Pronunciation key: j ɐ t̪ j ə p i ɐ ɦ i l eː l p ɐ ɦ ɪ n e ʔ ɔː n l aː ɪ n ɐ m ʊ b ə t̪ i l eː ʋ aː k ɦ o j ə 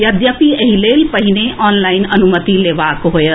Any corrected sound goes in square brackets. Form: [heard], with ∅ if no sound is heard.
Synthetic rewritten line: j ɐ [d̪] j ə p i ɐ ɦ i l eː l p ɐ ɦ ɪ n e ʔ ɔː n l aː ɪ n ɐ [n] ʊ [m] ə t̪ i l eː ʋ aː k ɦ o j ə